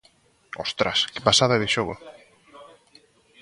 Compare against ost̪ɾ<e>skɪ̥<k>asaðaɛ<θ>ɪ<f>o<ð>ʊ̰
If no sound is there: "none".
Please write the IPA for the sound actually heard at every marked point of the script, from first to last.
a, p, ð, ʃ, ɣ

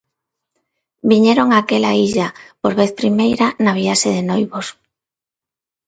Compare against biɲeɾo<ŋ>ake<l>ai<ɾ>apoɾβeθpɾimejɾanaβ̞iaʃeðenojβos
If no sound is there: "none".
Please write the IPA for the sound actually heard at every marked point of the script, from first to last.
ŋ, l, ʎ

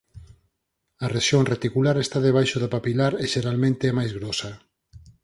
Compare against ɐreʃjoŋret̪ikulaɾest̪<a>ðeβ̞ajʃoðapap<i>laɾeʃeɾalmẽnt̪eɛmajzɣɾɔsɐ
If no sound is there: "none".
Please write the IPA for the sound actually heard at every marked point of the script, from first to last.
a, i

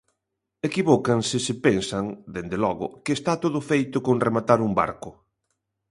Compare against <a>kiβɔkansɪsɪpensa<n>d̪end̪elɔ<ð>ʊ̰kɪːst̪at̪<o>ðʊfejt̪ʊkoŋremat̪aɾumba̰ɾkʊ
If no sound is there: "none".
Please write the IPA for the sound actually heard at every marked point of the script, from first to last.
e, ŋ, ɣ, o

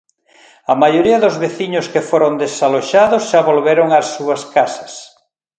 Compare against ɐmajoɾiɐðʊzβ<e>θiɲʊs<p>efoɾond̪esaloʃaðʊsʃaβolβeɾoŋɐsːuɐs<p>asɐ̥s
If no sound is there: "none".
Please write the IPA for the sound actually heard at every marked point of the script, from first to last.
e, k, k

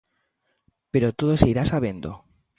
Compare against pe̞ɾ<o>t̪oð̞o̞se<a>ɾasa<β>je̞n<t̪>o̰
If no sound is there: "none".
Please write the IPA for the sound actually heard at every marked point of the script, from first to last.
o, i, β, d̪

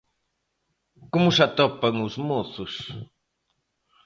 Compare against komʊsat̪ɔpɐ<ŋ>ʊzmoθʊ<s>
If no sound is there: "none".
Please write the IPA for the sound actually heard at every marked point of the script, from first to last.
ŋ, s

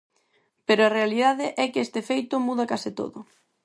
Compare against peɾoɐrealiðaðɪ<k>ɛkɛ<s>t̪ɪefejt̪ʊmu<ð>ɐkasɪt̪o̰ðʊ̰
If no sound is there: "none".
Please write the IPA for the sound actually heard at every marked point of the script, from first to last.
ʔ, s, ð

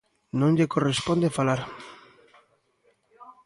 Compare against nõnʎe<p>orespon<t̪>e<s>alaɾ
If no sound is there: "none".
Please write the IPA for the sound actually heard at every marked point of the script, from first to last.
k, d̪, f

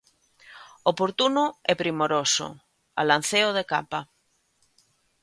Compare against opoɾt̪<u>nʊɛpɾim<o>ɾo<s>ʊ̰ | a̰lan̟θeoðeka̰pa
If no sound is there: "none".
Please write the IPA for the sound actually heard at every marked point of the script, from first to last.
u, o, s

